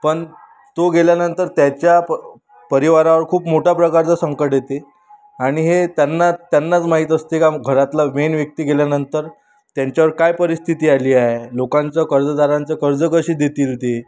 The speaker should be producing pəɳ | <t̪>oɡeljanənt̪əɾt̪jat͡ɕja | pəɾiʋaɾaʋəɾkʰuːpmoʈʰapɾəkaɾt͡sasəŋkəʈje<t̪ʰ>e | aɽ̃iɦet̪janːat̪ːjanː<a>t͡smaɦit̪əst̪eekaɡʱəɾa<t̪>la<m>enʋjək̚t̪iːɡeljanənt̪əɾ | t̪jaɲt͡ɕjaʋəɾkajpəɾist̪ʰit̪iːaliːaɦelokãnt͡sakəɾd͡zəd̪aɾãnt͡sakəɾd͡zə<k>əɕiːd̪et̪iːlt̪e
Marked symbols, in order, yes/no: yes, no, yes, yes, yes, yes

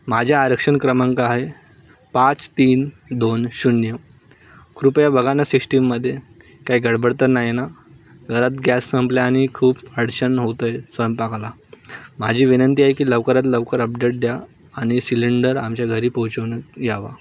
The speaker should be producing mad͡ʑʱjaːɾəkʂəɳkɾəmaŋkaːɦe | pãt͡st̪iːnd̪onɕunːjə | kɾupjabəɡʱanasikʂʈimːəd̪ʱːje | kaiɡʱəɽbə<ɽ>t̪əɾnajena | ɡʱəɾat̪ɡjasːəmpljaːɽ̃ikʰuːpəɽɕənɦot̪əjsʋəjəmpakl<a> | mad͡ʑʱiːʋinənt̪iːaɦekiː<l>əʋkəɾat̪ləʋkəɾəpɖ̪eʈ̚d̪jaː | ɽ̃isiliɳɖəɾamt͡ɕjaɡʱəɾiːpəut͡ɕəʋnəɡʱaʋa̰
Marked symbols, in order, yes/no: yes, yes, yes

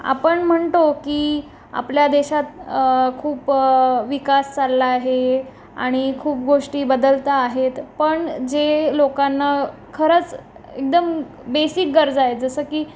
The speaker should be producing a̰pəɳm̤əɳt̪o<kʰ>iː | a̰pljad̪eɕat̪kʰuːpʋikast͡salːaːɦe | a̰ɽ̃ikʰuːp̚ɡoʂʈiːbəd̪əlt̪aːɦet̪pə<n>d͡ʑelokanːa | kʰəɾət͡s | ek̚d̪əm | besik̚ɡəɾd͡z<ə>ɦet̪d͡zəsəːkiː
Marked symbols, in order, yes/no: no, no, no

